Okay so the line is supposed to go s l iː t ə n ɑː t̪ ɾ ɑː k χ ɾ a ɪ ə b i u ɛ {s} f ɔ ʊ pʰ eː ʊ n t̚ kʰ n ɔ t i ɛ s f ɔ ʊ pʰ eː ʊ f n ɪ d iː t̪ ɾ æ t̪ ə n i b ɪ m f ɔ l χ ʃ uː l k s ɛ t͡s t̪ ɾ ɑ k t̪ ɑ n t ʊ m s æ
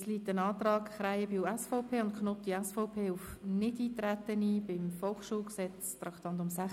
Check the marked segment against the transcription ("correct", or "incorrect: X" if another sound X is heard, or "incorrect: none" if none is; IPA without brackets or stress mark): correct